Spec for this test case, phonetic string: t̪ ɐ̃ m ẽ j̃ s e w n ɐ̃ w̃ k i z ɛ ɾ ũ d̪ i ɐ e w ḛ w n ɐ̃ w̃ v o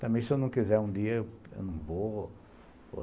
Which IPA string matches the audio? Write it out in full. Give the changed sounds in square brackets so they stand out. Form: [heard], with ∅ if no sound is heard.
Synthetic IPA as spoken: t̪ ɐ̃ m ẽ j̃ s e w n ɐ̃ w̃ k i z ɛ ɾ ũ d̪ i ɐ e w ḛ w n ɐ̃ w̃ v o